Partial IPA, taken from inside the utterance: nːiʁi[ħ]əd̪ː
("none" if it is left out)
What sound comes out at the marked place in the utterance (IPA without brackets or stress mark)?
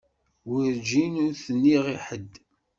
ħ